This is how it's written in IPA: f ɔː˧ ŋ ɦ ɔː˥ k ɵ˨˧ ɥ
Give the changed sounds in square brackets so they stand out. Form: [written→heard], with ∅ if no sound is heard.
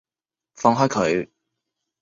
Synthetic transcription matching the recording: f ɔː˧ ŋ ɦ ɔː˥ [k→kʰ] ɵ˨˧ ɥ